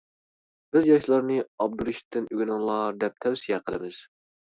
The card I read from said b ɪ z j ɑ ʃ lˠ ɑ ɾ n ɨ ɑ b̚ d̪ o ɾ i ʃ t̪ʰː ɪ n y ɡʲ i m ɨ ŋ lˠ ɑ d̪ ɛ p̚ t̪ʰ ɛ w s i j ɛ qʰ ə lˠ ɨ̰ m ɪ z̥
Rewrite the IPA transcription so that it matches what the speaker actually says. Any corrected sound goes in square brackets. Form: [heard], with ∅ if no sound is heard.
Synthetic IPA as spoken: b ɪ z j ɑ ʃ lˠ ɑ ɾ n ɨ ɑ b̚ d̪ [u] ɾ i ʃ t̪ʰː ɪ n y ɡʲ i [n] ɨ ŋ lˠ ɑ d̪ ɛ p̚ t̪ʰ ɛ w s i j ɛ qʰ ə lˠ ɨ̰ m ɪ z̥